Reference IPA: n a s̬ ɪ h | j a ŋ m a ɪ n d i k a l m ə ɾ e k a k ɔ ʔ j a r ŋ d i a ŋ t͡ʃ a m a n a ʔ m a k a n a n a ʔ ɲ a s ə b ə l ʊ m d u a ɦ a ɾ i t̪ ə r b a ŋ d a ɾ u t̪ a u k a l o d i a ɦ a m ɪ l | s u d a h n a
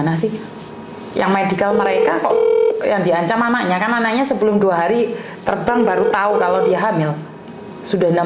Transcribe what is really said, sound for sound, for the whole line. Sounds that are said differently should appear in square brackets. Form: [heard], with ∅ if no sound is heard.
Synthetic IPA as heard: n a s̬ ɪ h | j a ŋ m a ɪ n d i k a l m ə ɾ e k a k ɔ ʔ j a [∅] ŋ d i a [ɲ] t͡ʃ a m a n a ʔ [ɲ] a k a n a n a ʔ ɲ a s ə b ə l ʊ m d u a ɦ a ɾ i t̪ ə r b a ŋ [b] a ɾ u t̪ a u k a l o d i a ɦ a m ɪ l | s u d a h n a